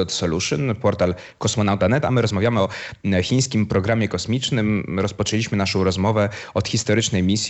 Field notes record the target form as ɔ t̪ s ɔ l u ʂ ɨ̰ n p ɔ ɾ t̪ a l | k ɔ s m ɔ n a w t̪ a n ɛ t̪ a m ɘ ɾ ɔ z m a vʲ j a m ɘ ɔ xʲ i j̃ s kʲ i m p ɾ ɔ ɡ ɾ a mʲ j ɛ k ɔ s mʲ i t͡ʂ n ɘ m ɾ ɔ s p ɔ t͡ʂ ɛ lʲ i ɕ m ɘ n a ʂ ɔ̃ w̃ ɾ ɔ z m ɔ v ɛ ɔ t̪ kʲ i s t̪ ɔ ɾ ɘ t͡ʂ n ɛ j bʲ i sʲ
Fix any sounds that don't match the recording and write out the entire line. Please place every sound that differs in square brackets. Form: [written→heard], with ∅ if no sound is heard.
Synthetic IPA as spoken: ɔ t̪ s ɔ l u ʂ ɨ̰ n p ɔ ɾ t̪ a l | k ɔ s m ɔ n a w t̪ a n ɛ t̪ a m ɘ ɾ ɔ z m a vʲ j a m ɘ ɔ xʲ i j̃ s kʲ i m p ɾ ɔ ɡ ɾ a mʲ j ɛ k ɔ s mʲ i t͡ʂ n ɘ m ɾ ɔ s p ɔ t͡ʂ ɛ lʲ i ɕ m ɘ n a ʂ ɔ̃ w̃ ɾ ɔ z m ɔ v ɛ ɔ t̪ [kʲ→xʲ] i s t̪ ɔ ɾ ɘ t͡ʂ n ɛ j [bʲ→mʲ] i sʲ